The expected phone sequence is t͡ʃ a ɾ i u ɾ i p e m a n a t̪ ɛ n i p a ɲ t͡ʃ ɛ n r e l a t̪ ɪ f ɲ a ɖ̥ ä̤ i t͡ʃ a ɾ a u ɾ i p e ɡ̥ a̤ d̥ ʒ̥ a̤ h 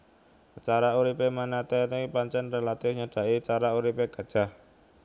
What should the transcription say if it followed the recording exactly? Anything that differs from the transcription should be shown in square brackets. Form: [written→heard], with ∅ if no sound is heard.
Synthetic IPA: t͡ʃ a ɾ [i→a] u ɾ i p e m a n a t̪ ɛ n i p a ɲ t͡ʃ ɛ n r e l a t̪ ɪ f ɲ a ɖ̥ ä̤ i t͡ʃ a ɾ a u ɾ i p e ɡ̥ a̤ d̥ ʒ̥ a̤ h